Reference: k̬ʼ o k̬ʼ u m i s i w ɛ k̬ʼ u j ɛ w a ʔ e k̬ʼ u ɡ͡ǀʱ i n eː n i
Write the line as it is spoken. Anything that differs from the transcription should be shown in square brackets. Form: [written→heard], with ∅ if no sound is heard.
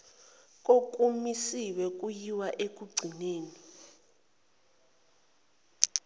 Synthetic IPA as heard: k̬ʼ o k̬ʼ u m i s i w ɛ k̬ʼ u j [ɛ→i] w a ʔ e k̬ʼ u ɡ͡ǀʱ i n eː n i